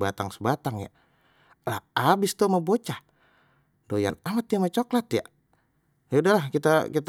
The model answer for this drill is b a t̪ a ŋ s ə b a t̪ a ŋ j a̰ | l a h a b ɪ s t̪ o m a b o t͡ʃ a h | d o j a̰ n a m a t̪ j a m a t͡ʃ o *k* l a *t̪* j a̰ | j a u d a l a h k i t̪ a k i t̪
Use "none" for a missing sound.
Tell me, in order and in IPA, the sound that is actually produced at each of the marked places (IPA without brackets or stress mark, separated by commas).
k, t̪